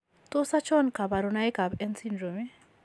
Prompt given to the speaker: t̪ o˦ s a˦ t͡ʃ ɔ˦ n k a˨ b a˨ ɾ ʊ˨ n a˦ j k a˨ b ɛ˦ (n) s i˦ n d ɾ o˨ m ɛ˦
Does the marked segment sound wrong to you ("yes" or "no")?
no